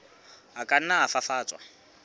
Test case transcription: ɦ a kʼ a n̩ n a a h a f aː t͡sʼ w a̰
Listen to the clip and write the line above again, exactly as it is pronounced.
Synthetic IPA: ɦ a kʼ a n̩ n a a f a f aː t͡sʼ w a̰